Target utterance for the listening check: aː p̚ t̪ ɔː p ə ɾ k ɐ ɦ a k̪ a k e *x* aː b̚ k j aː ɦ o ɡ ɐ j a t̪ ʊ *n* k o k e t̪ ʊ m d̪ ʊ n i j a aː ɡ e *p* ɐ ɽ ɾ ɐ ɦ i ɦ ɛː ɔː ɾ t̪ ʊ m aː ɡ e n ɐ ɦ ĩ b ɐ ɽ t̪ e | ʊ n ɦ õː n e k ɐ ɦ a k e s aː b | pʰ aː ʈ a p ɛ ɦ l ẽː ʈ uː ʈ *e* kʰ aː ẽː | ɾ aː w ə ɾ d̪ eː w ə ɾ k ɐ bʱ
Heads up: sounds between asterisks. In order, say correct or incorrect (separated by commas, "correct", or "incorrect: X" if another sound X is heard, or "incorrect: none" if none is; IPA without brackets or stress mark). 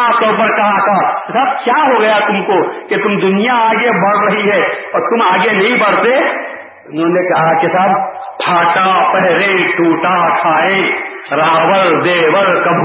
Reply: incorrect: s, incorrect: m, incorrect: b, incorrect: a